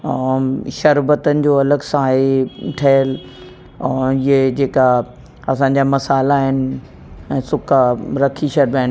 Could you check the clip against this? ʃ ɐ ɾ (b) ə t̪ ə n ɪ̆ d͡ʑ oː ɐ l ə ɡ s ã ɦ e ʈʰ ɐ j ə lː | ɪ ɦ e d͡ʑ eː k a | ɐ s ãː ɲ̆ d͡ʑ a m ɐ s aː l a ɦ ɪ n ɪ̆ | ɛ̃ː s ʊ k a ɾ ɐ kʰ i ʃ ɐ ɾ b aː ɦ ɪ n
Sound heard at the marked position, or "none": b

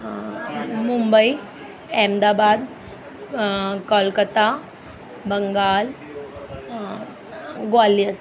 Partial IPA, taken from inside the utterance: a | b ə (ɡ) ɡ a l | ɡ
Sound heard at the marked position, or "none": ŋ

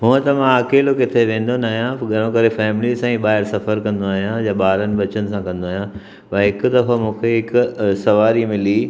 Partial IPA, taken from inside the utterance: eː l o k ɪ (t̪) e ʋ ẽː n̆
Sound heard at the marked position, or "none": t̪ʰ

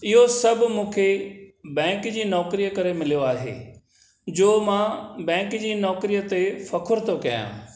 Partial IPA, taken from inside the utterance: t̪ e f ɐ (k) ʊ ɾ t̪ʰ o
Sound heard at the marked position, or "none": kʰ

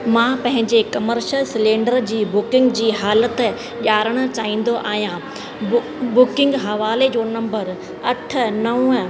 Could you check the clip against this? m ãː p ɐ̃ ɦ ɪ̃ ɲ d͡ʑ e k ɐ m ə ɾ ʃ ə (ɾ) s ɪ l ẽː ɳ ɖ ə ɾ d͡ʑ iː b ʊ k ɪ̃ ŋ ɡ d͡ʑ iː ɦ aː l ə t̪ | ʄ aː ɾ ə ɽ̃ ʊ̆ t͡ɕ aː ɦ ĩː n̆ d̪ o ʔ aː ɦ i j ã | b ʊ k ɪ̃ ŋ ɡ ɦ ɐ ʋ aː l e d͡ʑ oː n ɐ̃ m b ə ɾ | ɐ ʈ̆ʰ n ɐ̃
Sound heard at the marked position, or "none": l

